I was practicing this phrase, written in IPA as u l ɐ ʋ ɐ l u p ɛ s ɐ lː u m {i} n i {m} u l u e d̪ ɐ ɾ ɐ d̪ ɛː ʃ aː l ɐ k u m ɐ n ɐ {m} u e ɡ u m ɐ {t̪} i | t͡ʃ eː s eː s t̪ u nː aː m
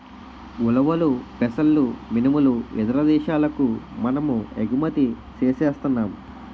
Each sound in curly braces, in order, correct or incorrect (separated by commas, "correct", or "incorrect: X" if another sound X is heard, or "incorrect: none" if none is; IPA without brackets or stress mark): correct, correct, correct, correct